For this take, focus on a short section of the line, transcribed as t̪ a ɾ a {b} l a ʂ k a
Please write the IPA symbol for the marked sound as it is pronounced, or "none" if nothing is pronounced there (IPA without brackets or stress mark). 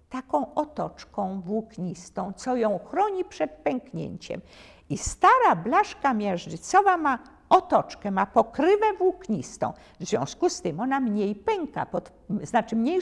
b